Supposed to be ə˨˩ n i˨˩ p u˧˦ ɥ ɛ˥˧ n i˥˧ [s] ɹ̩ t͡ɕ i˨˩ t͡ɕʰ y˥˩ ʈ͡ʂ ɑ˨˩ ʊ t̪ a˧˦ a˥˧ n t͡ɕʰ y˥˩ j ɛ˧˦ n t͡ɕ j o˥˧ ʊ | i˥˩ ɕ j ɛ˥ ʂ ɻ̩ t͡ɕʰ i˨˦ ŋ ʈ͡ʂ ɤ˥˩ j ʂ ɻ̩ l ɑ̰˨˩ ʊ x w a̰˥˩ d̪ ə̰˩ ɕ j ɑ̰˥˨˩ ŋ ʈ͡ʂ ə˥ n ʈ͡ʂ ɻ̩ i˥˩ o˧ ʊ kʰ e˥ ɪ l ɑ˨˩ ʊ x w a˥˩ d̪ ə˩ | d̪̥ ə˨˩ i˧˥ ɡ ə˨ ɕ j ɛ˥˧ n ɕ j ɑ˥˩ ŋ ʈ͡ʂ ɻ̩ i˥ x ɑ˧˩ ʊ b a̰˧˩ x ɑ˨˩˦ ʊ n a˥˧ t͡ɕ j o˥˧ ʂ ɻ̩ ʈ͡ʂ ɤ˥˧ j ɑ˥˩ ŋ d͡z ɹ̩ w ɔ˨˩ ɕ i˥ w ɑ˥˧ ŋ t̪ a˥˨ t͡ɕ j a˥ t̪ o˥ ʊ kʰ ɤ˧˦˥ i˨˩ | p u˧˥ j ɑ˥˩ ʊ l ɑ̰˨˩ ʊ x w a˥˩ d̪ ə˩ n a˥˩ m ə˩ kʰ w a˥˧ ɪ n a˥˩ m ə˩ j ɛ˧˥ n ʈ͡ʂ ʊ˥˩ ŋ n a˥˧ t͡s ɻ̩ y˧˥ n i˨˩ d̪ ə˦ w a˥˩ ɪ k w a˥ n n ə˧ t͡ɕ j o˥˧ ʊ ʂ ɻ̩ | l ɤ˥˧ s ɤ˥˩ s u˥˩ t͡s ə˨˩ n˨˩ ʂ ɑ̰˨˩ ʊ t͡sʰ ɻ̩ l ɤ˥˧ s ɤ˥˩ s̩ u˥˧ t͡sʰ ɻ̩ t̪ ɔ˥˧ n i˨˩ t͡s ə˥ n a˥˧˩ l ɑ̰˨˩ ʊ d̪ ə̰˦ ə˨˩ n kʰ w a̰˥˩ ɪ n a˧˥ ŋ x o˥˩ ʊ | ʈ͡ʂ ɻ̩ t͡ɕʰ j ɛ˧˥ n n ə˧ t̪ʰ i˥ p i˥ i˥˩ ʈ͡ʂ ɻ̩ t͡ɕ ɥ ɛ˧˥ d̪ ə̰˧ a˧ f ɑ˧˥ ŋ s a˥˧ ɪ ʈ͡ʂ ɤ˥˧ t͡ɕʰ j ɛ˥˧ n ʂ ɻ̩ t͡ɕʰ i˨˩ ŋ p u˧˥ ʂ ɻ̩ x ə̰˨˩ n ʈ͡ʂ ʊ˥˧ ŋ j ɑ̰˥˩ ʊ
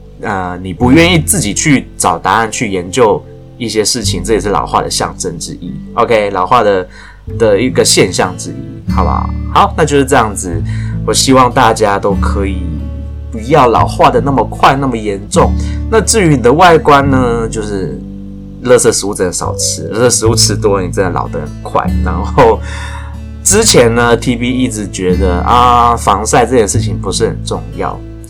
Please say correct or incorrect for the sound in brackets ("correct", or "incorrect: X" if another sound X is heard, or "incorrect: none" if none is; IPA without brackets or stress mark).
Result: incorrect: t͡s